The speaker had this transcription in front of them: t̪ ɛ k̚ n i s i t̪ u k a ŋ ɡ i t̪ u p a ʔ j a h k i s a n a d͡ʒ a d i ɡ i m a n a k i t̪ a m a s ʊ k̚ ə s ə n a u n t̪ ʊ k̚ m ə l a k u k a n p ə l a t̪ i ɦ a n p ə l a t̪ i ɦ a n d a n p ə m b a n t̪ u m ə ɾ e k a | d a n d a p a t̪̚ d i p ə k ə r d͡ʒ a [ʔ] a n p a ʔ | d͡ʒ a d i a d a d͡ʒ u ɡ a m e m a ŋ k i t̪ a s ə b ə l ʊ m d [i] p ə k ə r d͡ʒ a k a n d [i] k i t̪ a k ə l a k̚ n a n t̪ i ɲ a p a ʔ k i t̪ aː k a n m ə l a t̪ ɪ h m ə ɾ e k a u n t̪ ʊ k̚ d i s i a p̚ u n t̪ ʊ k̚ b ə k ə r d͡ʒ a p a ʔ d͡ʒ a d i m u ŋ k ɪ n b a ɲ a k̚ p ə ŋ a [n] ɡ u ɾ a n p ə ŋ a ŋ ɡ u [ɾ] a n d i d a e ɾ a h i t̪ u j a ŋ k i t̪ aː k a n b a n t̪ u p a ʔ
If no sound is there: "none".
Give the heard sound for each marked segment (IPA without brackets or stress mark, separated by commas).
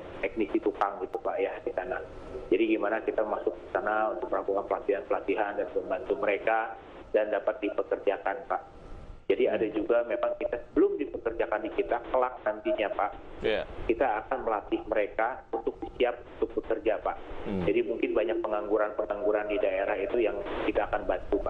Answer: k, i, i, ŋ, ɾ